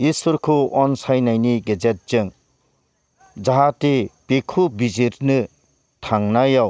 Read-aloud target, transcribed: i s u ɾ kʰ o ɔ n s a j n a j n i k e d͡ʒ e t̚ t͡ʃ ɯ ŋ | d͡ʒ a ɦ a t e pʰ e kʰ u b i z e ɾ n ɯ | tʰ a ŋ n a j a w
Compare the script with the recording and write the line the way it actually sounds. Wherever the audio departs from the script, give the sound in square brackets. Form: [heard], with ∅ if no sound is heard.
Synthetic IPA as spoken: i s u ɾ kʰ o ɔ n s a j n a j n i [ɡ] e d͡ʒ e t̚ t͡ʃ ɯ ŋ | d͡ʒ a ɦ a t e [p] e kʰ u b i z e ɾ n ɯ | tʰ a ŋ n a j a w